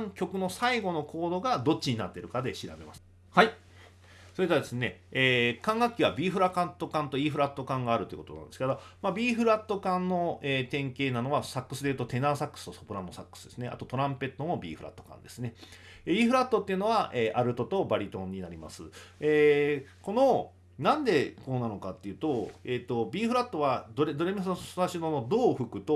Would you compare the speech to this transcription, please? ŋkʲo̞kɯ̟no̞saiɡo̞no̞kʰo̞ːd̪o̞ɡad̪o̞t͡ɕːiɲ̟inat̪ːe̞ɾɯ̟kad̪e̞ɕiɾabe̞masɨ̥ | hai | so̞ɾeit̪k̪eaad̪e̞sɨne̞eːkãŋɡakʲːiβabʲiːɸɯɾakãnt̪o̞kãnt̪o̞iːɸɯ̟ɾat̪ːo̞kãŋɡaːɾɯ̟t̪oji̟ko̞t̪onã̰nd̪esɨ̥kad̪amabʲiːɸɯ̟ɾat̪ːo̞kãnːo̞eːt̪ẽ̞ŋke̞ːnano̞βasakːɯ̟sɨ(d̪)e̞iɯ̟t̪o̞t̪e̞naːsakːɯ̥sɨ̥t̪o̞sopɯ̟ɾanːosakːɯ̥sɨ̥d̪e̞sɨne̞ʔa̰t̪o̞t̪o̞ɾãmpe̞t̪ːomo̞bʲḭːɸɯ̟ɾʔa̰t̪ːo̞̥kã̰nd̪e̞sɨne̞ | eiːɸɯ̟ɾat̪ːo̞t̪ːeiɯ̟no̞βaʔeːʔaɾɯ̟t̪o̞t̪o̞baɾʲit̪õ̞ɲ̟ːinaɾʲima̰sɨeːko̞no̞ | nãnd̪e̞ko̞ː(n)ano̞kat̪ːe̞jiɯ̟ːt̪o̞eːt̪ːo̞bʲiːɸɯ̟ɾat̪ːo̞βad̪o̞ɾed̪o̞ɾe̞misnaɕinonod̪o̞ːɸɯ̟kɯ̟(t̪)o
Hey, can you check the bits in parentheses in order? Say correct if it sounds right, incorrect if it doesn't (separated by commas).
correct, correct, correct